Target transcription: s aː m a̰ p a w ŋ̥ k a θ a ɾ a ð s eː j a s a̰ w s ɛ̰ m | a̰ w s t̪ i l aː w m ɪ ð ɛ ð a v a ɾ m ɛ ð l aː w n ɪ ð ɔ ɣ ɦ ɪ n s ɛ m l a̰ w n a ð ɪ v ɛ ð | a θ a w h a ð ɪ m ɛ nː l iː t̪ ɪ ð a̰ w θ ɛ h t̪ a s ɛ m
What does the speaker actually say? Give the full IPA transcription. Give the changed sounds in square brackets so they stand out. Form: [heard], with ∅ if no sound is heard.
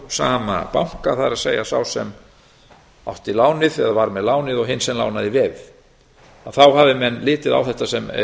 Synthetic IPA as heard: s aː m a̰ p a w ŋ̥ k a θ a ɾ a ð s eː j a s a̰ w s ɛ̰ m | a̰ w [h] t̪ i l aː w [n] ɪ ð ɛ ð a v a ɾ m ɛ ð l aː w n ɪ ð ɔ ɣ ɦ ɪ n s ɛ m l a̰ w n a ð ɪ v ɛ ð | a θ a w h a [v] ɪ m ɛ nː l [ɪː] t̪ ɪ ð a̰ w θ ɛ h t̪ a s ɛ m